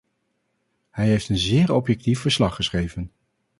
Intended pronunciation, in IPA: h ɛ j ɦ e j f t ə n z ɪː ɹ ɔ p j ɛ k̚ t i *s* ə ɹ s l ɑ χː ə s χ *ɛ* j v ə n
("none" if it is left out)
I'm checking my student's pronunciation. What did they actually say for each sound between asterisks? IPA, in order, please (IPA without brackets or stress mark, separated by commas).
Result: f, e